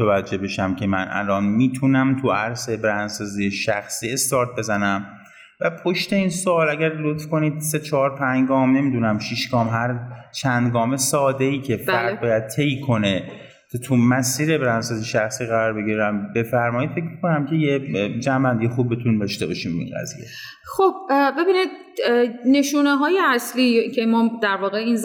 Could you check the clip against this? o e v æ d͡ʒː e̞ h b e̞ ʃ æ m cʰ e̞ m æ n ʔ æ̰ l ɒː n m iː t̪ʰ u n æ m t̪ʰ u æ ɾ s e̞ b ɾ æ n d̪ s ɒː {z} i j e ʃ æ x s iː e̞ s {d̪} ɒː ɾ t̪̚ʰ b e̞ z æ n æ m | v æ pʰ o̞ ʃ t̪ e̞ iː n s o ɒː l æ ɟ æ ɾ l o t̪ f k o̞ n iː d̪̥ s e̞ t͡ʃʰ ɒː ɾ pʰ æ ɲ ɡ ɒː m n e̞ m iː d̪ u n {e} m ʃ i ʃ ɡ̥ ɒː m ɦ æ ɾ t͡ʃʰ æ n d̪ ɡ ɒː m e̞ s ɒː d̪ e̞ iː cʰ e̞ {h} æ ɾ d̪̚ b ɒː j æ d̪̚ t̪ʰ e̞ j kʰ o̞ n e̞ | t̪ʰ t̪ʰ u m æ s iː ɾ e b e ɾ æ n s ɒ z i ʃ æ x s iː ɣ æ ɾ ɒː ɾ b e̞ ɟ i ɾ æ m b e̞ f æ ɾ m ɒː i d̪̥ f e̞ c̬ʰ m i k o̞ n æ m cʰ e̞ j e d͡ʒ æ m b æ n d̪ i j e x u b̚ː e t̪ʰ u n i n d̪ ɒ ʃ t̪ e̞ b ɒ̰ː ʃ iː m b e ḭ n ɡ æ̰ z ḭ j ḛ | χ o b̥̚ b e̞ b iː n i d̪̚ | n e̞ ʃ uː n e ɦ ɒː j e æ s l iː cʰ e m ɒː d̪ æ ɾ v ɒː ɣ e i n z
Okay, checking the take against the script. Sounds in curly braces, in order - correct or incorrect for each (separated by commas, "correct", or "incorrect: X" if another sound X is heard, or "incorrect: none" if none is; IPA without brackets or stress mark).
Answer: correct, incorrect: t̪, incorrect: æ, incorrect: f